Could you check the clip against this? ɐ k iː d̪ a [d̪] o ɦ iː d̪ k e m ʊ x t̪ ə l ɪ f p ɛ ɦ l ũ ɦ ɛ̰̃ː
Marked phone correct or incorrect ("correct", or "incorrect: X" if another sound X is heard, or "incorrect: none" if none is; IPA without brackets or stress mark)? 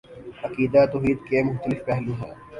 incorrect: t̪